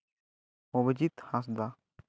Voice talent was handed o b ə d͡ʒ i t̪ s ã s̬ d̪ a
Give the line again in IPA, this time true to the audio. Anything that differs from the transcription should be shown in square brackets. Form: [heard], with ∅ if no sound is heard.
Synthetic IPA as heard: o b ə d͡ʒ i t̪ [h] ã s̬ d̪ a